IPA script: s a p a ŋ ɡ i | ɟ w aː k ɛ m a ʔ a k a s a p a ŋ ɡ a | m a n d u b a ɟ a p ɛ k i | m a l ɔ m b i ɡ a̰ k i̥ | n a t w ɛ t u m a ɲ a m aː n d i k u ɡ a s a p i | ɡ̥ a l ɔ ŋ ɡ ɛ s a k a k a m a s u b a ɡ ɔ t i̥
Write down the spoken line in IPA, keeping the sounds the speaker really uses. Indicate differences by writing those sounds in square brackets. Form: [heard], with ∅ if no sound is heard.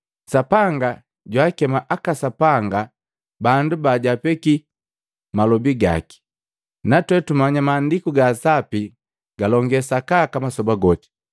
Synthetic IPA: s a p a ŋ ɡ [a] | ɟ w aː k ɛ m a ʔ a k a s a p a ŋ ɡ a | [b] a n d u b a ɟ a p ɛ k i | m a l ɔ [∅] b i ɡ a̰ k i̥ | n a t w ɛ t u m a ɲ a m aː n d i k u ɡ a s a p i | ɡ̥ a l ɔ ŋ ɡ ɛ s a k a k a m a s [ɔ] b a ɡ ɔ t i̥